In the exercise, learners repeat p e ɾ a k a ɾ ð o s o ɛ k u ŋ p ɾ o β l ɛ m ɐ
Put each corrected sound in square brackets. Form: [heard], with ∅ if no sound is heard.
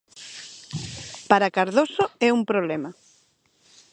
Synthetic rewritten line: p [a] ɾ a k a ɾ ð o s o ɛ [∅] u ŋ p ɾ o β l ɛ m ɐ